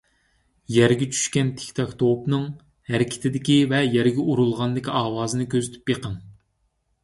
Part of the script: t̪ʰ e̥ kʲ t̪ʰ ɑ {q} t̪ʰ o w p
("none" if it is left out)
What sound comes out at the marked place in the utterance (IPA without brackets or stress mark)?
k